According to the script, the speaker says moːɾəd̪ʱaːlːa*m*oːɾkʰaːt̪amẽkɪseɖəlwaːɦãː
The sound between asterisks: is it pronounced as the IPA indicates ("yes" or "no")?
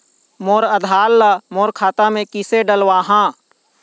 yes